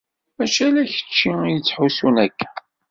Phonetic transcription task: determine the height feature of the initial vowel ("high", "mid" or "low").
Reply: low